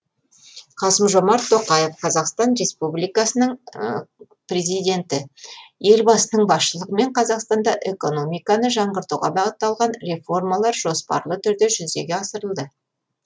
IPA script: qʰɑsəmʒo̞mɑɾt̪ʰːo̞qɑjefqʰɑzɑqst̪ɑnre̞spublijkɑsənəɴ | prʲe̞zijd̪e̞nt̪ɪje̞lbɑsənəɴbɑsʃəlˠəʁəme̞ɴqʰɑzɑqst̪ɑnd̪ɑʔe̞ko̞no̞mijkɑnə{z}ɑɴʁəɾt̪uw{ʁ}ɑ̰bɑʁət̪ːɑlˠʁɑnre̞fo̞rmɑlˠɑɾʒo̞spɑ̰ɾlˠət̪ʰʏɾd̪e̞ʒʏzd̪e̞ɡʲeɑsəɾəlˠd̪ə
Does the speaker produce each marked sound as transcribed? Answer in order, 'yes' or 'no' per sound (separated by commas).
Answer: no, yes